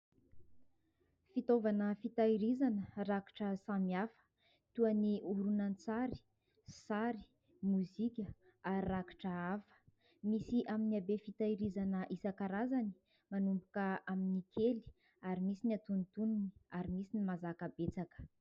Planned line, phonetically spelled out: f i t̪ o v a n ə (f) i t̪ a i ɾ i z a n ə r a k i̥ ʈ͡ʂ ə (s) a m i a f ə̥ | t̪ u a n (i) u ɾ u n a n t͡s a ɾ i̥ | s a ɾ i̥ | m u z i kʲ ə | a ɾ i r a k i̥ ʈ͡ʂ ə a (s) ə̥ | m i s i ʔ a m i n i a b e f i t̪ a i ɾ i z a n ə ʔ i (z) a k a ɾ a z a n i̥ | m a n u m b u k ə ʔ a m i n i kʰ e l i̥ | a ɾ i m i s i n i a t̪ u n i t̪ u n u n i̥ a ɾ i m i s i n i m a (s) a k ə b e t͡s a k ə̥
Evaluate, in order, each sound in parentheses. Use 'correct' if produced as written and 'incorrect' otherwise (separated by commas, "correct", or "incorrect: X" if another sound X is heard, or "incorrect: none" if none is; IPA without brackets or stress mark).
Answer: correct, correct, correct, incorrect: f, incorrect: s, incorrect: z